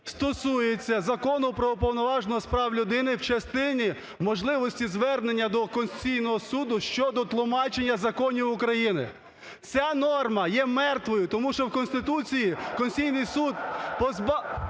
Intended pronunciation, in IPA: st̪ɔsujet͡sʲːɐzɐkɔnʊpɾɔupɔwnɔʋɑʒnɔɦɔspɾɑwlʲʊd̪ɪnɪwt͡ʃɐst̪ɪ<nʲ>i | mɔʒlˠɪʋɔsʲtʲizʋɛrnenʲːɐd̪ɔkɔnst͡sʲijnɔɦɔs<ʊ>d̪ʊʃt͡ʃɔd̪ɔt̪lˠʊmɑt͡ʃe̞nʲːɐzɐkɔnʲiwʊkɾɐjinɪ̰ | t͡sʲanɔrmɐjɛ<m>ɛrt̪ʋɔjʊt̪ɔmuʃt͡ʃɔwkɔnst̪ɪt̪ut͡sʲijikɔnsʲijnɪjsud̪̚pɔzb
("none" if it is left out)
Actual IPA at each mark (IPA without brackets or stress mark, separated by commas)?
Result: nʲ, u, m